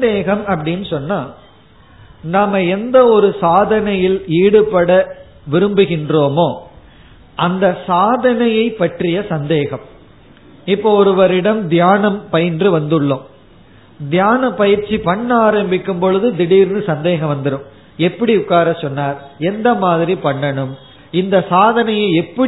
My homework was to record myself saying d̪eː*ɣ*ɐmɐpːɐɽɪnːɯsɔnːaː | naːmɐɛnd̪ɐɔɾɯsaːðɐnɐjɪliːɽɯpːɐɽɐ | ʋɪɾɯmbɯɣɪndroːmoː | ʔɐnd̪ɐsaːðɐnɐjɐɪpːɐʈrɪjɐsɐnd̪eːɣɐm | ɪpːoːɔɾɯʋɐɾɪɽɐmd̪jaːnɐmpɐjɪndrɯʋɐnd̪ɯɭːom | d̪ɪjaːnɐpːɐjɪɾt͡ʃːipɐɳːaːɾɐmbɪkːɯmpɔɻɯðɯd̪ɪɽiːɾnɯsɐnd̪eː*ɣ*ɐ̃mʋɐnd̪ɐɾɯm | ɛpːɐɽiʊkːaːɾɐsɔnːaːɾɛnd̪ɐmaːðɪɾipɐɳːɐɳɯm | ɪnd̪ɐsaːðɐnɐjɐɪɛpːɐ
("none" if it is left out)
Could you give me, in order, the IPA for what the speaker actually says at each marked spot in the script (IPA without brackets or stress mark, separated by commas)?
ɣ, ɣ